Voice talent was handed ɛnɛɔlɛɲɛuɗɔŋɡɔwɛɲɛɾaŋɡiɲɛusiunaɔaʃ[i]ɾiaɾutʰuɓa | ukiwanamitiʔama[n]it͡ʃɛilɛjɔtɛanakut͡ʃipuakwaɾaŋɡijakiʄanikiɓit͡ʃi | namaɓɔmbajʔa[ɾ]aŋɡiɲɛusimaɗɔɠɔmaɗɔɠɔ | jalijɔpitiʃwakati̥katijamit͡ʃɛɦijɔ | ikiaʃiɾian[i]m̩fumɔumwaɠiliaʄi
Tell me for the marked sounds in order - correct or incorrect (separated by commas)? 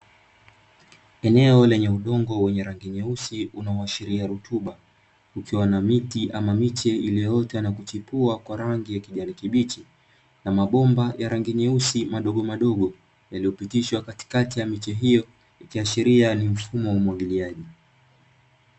correct, incorrect, correct, correct